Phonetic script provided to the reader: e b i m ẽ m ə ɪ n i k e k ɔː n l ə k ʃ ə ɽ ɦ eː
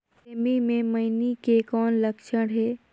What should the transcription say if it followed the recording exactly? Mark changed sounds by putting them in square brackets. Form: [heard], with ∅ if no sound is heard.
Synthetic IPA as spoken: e [m] i m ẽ m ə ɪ n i k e k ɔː n l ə k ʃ ə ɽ ɦ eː